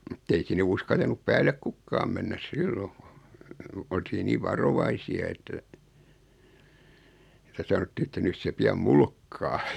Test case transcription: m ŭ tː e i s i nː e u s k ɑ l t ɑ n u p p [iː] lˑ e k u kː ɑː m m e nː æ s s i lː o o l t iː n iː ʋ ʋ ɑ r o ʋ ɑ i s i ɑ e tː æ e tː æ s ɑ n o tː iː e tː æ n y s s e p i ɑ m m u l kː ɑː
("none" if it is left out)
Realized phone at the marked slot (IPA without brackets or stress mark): æː